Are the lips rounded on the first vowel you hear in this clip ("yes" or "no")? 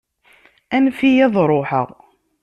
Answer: no